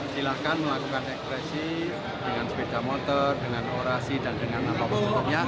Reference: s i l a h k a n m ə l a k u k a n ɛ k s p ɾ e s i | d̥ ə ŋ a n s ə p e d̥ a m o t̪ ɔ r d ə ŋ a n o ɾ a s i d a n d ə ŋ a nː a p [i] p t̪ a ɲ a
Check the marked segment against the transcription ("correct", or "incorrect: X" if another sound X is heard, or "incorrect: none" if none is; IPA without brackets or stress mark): incorrect: a